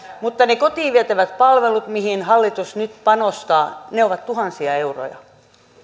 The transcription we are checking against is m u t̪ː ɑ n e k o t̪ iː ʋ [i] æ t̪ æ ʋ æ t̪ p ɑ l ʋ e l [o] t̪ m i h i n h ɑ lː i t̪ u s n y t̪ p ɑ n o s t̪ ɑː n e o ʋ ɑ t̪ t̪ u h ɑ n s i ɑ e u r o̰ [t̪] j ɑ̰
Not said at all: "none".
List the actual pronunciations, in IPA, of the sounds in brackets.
i, u, none

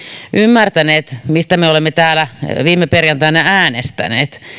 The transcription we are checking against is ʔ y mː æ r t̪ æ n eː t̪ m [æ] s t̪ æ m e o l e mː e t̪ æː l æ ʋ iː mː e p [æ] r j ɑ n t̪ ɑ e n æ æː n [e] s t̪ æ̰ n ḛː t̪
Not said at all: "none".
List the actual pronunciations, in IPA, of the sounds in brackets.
i, e, e

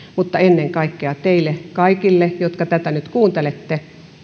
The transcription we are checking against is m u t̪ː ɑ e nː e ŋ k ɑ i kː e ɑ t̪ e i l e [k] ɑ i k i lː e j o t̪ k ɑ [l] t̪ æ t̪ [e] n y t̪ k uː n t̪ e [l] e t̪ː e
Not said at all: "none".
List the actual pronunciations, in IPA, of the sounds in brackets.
k, none, æ, l

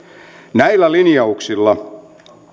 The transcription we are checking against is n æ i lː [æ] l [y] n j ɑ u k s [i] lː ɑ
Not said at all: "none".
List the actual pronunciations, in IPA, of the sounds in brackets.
æ, i, i

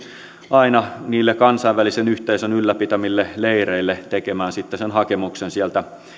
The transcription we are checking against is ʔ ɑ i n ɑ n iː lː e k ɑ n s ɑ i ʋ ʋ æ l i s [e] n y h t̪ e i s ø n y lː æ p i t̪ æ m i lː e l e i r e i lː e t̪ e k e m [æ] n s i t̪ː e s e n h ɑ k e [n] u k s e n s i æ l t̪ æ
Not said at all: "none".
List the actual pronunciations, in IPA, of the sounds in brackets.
e, æː, m

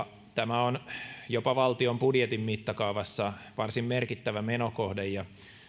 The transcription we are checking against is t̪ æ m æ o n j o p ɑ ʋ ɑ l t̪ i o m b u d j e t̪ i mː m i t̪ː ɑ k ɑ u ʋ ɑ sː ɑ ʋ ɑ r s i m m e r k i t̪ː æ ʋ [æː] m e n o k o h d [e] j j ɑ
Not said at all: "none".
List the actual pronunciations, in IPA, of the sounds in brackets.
æ, e

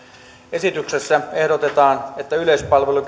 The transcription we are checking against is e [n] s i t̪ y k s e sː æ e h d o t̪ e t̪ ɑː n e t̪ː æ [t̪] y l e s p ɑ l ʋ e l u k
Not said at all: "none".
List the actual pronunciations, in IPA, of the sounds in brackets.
none, none

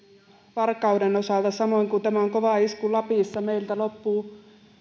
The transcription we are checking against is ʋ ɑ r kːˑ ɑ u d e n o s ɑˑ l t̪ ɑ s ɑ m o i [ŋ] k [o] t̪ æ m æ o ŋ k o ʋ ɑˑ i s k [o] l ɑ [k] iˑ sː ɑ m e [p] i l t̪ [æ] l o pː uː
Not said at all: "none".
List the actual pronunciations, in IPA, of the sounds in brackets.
ŋ, u, u, p, none, æ

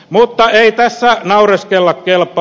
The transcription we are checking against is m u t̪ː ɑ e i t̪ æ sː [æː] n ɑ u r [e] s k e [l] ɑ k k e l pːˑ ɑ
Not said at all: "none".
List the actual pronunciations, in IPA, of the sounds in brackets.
æ, e, lː

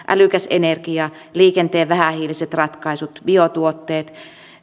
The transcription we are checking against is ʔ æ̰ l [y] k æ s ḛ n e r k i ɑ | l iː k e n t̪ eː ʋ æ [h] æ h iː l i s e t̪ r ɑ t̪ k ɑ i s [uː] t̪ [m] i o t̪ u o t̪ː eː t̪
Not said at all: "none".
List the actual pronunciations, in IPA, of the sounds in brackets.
y, h, u, b

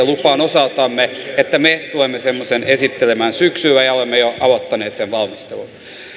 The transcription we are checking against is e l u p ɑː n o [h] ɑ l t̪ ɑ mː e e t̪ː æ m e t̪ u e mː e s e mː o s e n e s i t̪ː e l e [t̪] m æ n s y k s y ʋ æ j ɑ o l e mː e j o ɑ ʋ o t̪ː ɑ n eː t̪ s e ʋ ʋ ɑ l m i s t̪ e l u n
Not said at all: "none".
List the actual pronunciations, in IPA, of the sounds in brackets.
s, none

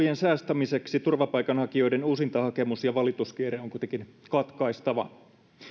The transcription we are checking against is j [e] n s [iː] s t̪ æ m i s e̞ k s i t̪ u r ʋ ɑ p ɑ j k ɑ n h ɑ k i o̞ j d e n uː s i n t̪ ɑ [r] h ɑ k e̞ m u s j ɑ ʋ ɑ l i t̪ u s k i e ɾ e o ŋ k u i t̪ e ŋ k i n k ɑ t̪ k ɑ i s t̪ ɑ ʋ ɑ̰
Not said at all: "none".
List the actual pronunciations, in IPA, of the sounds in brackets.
e, æː, none

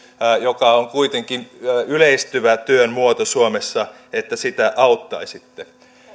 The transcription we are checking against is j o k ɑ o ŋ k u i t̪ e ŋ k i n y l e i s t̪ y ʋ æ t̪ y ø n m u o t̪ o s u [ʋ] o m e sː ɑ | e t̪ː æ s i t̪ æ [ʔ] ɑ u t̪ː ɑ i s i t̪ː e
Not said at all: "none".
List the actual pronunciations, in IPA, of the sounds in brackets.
none, ʔ

